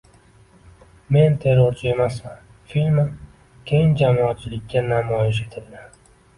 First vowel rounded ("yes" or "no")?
no